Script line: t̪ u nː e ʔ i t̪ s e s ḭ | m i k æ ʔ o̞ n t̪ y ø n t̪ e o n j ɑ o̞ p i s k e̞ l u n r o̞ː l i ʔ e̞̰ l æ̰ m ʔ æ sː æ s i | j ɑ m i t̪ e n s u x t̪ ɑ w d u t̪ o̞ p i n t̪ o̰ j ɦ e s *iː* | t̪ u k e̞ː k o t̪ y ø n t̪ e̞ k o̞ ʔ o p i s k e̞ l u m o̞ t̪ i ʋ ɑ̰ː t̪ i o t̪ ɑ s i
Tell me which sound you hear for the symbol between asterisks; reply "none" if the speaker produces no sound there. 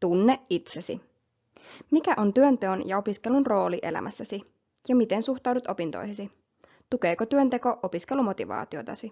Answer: i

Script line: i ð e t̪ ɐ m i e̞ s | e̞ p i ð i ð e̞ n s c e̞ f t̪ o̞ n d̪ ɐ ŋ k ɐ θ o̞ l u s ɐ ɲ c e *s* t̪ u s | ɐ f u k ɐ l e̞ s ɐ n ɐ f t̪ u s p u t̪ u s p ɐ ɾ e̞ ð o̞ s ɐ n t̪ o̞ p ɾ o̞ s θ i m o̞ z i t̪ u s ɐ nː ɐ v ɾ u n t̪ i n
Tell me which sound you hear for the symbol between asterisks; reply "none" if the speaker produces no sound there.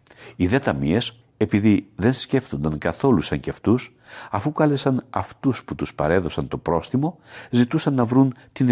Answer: f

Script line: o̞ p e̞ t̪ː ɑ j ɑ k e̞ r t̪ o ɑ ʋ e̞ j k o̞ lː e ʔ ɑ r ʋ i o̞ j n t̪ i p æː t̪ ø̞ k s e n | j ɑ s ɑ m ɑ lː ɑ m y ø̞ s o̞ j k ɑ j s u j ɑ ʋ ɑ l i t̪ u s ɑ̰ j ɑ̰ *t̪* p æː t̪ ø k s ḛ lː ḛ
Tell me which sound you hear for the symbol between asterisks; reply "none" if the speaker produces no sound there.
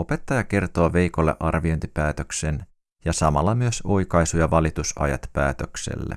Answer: t̪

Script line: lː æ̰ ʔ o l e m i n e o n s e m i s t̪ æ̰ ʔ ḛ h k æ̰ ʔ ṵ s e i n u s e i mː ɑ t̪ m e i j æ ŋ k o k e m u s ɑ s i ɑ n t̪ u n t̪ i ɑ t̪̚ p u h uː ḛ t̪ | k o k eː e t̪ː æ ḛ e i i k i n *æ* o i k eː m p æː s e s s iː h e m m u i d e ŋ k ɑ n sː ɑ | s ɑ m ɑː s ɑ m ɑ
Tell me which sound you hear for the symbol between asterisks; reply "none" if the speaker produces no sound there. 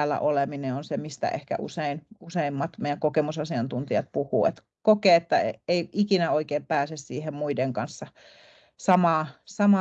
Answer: æ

